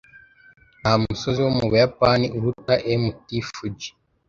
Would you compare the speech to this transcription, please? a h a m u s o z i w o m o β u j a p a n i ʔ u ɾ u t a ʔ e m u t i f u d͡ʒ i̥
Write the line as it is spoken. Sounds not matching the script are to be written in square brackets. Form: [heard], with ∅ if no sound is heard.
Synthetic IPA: a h a m u s o z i w o m [u] β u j a p a n i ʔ u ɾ u t a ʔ e m u t i f u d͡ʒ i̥